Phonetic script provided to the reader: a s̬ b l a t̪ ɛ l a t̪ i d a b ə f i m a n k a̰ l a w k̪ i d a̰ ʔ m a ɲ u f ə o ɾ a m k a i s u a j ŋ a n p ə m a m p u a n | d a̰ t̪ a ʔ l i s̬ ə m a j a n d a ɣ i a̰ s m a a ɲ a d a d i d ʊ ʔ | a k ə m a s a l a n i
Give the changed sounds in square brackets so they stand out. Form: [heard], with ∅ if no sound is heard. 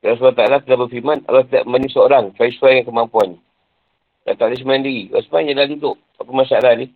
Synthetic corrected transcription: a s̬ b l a t̪ [a] l a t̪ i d a b ə f i m a n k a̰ l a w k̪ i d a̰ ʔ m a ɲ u [s] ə o ɾ a [ŋ] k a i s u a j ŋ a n [k] ə m a m p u a n | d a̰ t̪ a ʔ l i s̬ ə m a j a n d [i] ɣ i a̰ s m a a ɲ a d a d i d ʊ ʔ | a [p] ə m a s a l a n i